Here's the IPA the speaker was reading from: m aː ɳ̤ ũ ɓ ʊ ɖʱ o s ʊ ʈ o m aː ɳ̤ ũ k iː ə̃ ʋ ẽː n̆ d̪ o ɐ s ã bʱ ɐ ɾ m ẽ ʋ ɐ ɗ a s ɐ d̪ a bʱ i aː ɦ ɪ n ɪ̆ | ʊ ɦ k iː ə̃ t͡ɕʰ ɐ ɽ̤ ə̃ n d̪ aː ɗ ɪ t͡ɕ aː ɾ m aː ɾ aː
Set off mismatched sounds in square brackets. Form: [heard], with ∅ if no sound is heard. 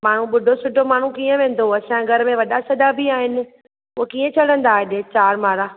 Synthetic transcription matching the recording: m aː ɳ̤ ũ ɓ ʊ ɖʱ o s ʊ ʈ o m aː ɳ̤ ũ k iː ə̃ ʋ ẽː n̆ d̪ o ɐ s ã [ɡʱ] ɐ ɾ m ẽ ʋ ɐ ɗ a s ɐ d̪ a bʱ i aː ɦ ɪ n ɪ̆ | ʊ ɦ k iː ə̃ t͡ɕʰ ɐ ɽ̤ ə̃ n d̪ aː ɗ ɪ t͡ɕ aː ɾ m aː ɾ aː

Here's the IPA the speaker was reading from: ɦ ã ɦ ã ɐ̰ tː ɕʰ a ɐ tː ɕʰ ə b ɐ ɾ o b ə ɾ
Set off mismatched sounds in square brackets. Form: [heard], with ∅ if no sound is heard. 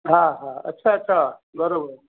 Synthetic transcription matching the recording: ɦ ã ɦ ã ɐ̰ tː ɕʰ a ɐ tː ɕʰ [a] b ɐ ɾ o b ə ɾ

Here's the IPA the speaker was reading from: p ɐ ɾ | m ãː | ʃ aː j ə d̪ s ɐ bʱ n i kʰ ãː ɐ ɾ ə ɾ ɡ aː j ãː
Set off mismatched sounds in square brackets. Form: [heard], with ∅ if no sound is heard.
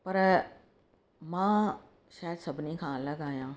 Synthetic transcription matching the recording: p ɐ ɾ | m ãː | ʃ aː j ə d̪ s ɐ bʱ n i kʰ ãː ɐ [l] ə [∅] ɡ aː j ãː

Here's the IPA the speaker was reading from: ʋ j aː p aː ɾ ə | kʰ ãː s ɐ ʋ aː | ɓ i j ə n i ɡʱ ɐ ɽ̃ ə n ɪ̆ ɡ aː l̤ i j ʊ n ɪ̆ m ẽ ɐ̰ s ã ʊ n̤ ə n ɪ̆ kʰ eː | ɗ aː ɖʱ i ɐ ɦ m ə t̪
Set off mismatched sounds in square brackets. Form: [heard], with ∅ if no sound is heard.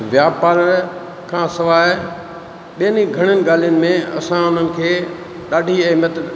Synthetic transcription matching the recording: ʋ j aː p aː ɾ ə | kʰ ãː s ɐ ʋ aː | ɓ i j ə n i ɡʱ ɐ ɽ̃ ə n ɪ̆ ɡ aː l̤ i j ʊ n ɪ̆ m ẽ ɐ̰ s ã ʊ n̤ ə n ɪ̆ kʰ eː | ɗ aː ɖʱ i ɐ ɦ m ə t̪

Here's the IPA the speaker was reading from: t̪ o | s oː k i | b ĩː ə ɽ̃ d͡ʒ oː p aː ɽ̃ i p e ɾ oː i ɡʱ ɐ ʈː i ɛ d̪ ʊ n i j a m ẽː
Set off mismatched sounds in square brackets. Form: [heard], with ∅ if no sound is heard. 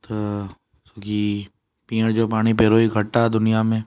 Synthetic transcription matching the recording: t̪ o | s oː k i | [p] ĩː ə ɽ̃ d͡ʒ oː p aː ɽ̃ i p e ɾ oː i ɡʱ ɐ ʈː [a] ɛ d̪ ʊ n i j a m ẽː

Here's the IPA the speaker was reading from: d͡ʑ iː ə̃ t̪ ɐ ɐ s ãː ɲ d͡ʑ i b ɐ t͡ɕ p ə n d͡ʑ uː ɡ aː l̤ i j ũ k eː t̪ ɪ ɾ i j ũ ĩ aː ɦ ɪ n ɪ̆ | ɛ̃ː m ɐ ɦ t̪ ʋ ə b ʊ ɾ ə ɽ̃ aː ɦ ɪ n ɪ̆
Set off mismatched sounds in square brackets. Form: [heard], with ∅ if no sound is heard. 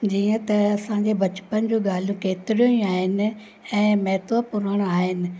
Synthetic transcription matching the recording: d͡ʑ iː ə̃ t̪ ɐ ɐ s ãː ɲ d͡ʑ [e] b ɐ t͡ɕ p ə n d͡ʑ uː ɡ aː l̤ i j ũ k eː t̪ ɪ ɾ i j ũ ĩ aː ɦ ɪ n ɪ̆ | ɛ̃ː m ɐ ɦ t̪ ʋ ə [p] ʊ ɾ ə ɽ̃ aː ɦ ɪ n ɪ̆

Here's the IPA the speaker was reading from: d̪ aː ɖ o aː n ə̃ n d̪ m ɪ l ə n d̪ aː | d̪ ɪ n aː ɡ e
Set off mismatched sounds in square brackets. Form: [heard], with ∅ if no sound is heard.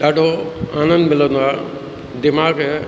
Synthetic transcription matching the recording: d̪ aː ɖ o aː n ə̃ n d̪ m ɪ l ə n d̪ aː | d̪ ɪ [m] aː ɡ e

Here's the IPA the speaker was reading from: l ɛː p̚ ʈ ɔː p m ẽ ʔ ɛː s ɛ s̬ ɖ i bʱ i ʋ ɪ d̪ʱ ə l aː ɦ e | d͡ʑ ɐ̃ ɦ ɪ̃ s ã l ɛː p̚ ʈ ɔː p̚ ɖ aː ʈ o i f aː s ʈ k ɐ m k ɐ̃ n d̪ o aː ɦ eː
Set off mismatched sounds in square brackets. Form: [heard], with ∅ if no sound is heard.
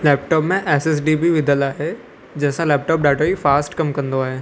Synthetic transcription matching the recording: l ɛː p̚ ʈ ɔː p m ẽ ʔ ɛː s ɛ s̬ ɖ i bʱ i ʋ ɪ d̪ʱ ə l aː ɦ e | d͡ʑ ɐ̃ ɦ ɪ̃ s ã l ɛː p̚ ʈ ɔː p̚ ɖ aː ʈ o i f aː s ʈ k ɐ m k ɐ̃ n d̪ o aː ɦ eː

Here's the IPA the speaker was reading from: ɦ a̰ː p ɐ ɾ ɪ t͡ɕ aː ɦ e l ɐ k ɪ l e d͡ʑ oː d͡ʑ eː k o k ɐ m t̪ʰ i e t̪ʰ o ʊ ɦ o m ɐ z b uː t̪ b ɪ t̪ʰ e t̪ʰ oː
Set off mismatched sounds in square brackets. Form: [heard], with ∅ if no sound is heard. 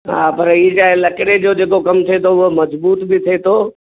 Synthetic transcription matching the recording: ɦ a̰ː p ɐ ɾ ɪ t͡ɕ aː ɦ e l ɐ k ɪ [ɽ] e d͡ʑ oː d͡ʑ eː k o k ɐ m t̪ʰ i e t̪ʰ o ʊ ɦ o m ɐ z b uː t̪ b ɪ t̪ʰ e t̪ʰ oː

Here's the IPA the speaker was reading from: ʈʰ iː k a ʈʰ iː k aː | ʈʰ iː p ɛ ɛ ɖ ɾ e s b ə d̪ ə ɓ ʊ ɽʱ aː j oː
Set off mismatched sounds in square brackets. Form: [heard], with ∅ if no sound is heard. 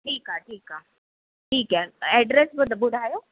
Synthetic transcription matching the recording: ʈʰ iː k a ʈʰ iː k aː | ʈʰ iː [k] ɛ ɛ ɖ ɾ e s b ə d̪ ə [b] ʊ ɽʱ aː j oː

